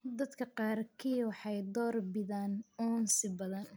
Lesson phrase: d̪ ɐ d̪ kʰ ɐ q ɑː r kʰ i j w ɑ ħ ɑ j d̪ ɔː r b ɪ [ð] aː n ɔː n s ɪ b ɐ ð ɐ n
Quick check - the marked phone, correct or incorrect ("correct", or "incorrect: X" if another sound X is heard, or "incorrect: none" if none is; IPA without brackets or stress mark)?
correct